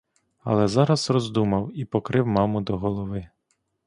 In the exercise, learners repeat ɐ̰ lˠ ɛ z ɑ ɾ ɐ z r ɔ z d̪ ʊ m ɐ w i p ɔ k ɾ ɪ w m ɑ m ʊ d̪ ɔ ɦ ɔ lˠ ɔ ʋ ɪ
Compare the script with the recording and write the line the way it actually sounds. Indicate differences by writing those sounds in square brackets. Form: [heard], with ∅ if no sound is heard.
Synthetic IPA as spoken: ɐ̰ lˠ ɛ z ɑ ɾ ɐ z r ɔ z d̪ [u] m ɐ w i p ɔ k ɾ ɪ w m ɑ m ʊ d̪ ɔ ɦ ɔ lˠ ɔ ʋ ɪ